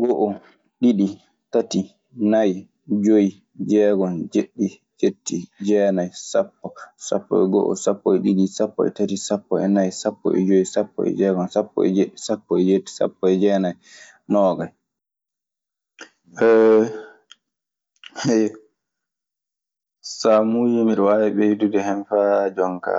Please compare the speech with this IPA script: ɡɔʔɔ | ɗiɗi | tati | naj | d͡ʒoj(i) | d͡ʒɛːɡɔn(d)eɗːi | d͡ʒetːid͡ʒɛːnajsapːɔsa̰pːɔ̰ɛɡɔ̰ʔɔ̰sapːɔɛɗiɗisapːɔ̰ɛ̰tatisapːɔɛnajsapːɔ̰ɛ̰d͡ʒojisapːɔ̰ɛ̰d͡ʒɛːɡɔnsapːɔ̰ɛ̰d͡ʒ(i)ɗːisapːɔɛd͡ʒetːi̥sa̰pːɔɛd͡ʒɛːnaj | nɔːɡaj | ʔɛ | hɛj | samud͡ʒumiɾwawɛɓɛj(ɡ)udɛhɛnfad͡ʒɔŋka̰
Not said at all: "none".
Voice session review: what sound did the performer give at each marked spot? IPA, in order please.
i, d͡ʒ, e, d

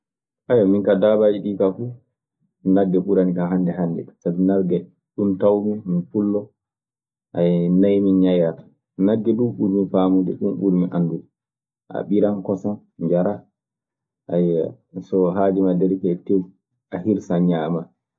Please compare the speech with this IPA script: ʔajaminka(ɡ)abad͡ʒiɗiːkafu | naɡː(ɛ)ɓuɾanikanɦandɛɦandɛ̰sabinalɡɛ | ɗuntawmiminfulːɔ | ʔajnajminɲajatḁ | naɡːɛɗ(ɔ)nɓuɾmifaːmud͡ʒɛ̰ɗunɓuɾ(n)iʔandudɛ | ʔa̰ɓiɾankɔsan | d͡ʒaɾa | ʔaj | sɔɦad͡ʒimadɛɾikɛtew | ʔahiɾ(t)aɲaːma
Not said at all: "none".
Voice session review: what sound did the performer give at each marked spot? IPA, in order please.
d, ɛ, u, m, s

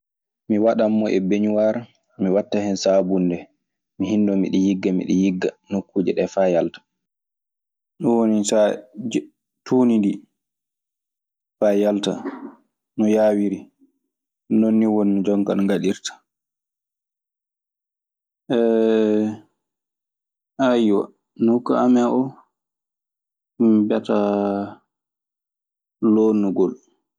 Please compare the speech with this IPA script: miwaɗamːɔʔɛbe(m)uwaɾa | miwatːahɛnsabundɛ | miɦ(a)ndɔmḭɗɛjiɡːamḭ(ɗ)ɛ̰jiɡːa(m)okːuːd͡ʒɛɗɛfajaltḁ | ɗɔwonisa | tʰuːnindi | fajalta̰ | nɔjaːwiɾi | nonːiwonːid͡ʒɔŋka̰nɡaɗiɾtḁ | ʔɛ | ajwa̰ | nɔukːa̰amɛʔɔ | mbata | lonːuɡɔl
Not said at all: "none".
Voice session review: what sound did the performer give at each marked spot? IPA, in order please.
ɲ, i, ɗ, n

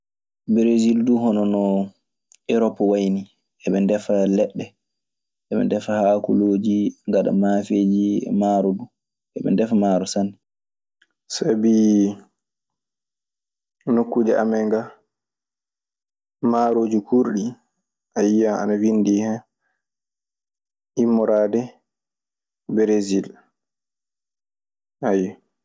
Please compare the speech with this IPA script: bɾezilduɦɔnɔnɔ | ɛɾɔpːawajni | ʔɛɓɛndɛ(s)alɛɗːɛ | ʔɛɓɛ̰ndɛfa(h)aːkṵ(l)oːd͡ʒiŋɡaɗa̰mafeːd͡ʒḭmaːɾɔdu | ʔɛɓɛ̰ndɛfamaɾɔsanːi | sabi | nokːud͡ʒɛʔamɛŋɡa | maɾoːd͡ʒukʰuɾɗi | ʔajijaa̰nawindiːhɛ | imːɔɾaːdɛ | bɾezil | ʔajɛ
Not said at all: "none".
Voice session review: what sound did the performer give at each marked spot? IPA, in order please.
f, h, l

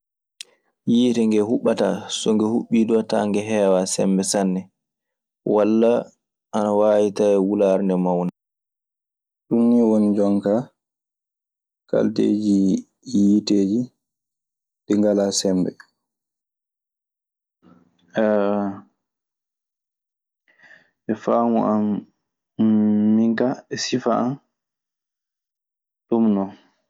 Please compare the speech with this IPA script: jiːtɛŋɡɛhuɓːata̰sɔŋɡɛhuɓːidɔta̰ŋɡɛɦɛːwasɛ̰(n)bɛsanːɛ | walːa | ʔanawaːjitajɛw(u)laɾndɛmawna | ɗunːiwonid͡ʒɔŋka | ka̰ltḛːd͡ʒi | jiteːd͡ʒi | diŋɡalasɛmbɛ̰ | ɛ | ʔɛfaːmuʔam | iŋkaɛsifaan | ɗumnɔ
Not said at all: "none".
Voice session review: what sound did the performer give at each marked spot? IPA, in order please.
m, u

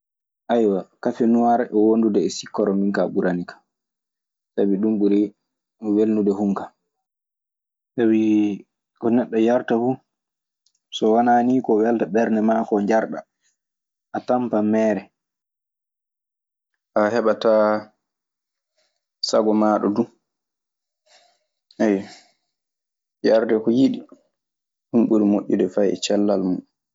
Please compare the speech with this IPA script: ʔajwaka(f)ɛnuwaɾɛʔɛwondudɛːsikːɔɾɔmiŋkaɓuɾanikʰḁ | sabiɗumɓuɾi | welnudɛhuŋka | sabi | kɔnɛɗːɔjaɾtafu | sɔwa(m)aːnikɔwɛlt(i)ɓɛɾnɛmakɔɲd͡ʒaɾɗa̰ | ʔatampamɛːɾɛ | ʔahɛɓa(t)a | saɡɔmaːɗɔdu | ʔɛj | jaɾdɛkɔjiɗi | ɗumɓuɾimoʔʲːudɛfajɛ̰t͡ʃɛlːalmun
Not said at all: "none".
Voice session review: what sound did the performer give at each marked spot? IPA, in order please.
f, n, a, t

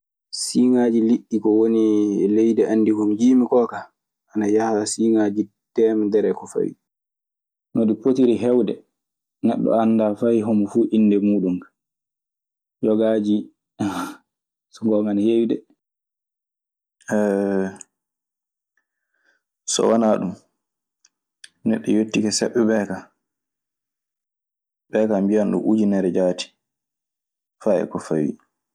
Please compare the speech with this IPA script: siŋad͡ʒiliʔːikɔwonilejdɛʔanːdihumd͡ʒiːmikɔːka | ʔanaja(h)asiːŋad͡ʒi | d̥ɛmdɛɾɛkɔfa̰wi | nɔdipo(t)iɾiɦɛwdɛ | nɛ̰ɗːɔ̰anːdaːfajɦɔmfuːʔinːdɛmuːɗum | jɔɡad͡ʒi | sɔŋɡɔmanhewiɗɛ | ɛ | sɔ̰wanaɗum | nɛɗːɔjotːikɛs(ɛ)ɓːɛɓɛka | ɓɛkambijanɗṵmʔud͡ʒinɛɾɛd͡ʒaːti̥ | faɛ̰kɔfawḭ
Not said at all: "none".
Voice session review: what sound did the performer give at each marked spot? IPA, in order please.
h, t, ɛ

